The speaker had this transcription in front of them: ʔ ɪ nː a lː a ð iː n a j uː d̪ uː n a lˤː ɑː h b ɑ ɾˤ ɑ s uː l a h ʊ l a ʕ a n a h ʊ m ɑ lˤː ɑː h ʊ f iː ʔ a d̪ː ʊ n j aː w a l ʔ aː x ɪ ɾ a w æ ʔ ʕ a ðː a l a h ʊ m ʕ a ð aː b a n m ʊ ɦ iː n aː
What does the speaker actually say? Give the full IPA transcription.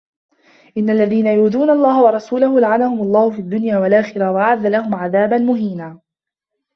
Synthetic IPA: ʔ ɪ nː a lː a ð iː n a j uː d̪ uː n a lˤː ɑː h w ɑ ɾˤ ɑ s uː l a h ʊ l a ʕ a n a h ʊ m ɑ lˤː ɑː h ʊ f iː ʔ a d̪ː ʊ n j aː w a l ʔ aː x ɪ ɾ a w a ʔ ʕ a ðː a l a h ʊ m ʕ a ð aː b a n m ʊ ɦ iː n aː